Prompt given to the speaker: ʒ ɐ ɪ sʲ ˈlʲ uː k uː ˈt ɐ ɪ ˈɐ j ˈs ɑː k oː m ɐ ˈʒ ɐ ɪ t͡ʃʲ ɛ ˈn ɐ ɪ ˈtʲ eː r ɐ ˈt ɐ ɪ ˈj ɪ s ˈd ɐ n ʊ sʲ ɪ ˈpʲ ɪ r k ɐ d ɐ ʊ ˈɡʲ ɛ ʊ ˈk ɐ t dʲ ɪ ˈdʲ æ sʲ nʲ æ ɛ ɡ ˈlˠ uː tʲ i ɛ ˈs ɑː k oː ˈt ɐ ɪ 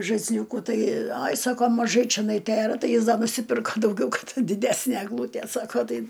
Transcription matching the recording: ʒ ɐ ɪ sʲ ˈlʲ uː k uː ˈt ɐ ɪ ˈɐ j ˈs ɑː k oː m ɐ ˈʒ ɐ ɪ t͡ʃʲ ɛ ˈn ɐ ɪ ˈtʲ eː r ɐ ˈt ɐ ɪ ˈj ɪ s ˈd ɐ n ʊ sʲ ɪ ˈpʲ ɪ r k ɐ d ɐ ʊ ˈɡʲ ɛ ʊ ˈk ɐ t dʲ ɪ ˈdʲ æ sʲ nʲ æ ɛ ɡ ˈlˠ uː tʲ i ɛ ˈs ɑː k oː ˈt ɐ ɪ